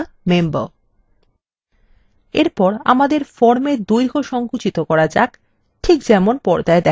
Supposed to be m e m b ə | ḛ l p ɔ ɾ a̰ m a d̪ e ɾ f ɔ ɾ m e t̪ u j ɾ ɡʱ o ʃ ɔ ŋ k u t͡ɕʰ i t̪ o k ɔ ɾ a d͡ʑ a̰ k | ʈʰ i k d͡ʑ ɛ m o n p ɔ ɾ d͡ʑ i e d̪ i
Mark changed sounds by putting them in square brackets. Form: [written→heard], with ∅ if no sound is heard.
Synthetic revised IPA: m e m b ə | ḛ [l→ɾ] p ɔ ɾ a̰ m a d̪ e ɾ f ɔ ɾ m e [t̪→d̪] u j ɾ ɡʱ o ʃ ɔ ŋ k u [t͡ɕʰ→t͡ɕ] i t̪ o k ɔ ɾ a d͡ʑ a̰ k | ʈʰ i k d͡ʑ ɛ m o n p ɔ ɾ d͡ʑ [i→a] e d̪ [i→ɛ]